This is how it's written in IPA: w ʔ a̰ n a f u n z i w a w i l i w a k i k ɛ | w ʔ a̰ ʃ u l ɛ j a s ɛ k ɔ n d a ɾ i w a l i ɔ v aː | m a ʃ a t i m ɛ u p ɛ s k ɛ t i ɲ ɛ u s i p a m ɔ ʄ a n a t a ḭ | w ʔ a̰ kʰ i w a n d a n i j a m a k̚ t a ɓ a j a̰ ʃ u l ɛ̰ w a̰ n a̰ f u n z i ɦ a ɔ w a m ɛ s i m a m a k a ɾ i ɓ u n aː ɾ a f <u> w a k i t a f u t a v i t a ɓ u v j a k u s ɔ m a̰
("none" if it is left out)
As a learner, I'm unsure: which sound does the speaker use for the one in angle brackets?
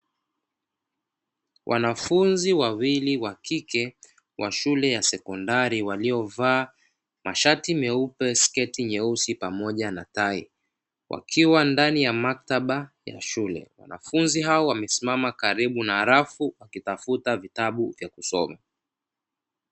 u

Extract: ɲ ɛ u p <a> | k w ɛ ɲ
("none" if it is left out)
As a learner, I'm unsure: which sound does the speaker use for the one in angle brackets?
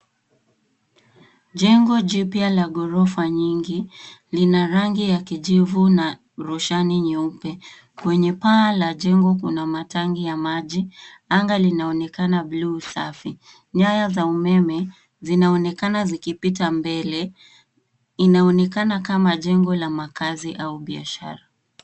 ɛ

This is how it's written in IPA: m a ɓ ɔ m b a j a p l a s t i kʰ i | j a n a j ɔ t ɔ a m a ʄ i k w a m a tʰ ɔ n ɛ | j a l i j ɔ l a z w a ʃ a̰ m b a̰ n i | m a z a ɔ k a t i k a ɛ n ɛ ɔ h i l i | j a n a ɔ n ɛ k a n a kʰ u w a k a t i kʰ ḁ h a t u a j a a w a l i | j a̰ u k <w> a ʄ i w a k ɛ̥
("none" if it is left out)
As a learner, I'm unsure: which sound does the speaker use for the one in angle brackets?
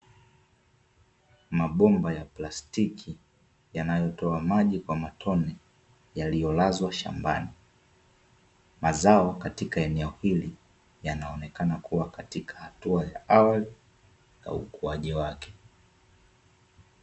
u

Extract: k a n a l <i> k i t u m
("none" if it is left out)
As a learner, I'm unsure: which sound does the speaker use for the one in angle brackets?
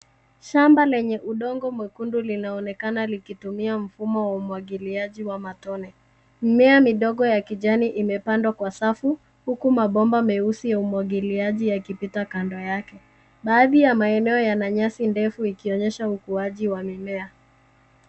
i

